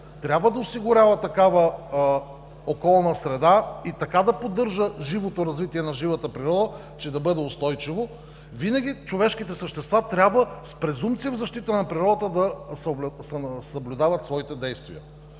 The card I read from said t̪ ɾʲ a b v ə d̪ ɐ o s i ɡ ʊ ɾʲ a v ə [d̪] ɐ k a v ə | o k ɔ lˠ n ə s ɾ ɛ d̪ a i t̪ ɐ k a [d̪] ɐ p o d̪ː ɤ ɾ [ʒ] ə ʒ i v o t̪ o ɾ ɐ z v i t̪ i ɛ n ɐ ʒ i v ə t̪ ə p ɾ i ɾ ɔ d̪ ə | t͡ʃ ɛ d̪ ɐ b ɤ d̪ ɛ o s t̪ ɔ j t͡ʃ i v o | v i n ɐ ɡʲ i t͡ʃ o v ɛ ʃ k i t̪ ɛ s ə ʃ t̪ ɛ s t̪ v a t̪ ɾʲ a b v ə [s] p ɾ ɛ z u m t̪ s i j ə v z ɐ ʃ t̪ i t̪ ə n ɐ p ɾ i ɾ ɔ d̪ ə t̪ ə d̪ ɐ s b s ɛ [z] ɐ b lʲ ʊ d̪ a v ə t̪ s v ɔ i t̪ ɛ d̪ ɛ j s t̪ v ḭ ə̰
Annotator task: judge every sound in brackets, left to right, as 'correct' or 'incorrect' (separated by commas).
incorrect, correct, correct, correct, incorrect